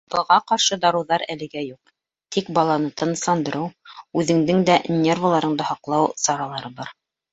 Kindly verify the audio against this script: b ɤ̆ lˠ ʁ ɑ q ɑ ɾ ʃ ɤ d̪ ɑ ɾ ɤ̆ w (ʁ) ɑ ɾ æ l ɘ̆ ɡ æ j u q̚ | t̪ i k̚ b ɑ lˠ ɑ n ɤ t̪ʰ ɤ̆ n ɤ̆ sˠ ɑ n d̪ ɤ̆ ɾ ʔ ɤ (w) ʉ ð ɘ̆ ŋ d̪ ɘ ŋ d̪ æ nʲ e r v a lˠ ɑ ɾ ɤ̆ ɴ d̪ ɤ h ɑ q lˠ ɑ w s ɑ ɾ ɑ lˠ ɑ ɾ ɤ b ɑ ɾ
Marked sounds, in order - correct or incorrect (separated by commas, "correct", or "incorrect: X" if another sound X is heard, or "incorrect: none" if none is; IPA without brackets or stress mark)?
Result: incorrect: ð, correct